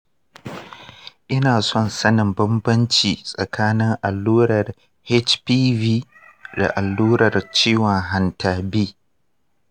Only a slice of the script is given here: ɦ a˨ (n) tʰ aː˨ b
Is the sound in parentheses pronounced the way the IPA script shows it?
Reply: yes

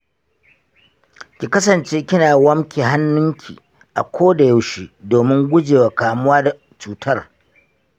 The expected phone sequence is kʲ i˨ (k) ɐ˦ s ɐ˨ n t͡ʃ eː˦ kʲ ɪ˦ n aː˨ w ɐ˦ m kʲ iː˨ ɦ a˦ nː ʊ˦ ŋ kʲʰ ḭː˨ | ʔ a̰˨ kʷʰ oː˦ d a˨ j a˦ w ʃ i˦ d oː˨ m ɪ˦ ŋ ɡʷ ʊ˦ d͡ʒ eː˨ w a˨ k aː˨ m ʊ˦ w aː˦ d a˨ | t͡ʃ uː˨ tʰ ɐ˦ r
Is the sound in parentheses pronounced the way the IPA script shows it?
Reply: yes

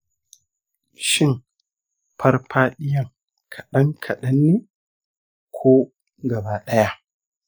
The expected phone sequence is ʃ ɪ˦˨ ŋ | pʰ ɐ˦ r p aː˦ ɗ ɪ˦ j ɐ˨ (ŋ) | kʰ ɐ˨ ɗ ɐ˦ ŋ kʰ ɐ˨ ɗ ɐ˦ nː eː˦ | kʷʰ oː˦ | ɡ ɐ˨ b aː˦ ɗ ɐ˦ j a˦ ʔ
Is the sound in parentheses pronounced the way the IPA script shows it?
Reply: yes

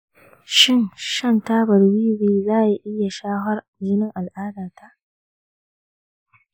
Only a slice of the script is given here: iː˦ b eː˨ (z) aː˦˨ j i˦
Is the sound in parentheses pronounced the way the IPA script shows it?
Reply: yes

